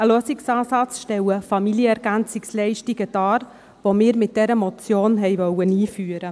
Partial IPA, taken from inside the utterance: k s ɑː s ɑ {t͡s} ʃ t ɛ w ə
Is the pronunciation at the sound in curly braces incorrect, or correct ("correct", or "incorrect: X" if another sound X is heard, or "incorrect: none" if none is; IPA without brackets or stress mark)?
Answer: correct